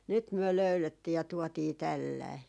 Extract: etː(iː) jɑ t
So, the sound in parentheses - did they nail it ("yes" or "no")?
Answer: yes